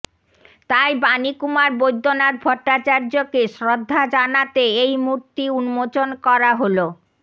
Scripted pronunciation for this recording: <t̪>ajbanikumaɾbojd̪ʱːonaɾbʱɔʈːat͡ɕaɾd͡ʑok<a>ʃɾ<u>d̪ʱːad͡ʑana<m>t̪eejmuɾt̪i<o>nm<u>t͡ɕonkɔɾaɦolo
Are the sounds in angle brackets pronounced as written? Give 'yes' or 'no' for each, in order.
yes, no, no, no, no, no

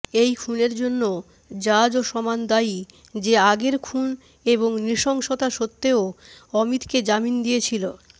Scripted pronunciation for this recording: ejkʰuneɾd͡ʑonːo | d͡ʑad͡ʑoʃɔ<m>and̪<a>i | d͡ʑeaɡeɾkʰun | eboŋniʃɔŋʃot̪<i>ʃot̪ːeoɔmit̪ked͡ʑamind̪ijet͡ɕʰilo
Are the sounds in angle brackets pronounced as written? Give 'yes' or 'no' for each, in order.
yes, yes, no

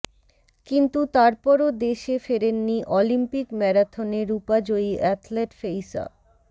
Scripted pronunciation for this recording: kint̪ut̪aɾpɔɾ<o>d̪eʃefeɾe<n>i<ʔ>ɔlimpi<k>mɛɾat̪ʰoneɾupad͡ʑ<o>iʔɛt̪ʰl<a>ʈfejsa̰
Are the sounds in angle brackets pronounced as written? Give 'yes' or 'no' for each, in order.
yes, no, yes, yes, yes, no

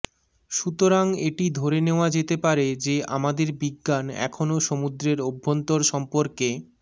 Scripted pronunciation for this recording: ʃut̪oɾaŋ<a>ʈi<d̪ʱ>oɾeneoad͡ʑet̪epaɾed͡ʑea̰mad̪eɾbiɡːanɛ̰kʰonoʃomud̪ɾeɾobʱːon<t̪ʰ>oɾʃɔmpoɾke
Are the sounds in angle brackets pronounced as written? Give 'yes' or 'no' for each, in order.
no, yes, no

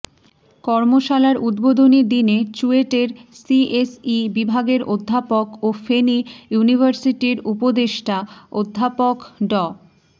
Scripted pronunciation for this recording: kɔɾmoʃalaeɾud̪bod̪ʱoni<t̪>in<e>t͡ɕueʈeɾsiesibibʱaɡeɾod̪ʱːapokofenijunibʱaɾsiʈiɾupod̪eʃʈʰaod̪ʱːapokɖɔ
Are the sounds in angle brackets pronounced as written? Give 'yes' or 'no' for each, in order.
no, yes

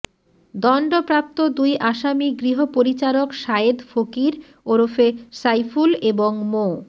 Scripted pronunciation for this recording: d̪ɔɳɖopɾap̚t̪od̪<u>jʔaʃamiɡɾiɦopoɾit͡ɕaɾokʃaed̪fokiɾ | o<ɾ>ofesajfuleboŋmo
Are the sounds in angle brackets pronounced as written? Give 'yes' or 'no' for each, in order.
yes, yes

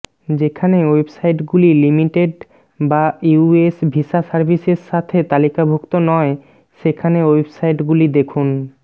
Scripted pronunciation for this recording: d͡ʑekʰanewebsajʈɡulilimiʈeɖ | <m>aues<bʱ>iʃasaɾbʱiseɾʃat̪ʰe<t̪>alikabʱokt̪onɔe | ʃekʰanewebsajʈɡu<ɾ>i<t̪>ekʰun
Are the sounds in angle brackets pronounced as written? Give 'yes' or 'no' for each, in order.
no, yes, yes, no, no

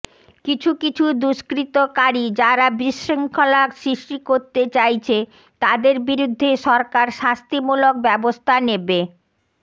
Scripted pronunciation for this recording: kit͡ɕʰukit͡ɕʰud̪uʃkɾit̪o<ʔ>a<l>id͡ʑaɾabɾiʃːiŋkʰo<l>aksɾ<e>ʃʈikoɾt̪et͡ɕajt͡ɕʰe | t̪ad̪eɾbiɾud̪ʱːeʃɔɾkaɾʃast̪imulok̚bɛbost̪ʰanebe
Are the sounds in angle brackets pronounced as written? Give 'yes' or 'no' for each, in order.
no, no, yes, no

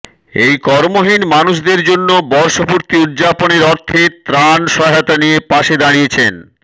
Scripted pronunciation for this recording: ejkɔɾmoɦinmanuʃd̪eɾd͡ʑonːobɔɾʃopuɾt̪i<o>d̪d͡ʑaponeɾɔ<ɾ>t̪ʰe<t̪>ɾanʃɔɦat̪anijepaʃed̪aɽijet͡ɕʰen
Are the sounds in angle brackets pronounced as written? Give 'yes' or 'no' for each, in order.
no, yes, yes

